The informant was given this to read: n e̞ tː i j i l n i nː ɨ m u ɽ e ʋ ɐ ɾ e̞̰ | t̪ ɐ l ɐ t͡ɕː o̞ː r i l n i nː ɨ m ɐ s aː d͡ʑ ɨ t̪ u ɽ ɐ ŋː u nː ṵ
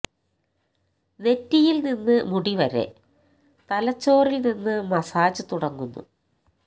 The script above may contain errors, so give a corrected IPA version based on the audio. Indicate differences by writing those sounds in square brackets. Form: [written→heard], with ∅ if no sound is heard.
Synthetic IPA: n e̞ tː i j i l n i nː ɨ m u ɽ [e→i] ʋ ɐ ɾ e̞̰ | t̪ ɐ l ɐ t͡ɕː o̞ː r i l n i nː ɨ m ɐ s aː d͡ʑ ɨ t̪ u ɽ ɐ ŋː u nː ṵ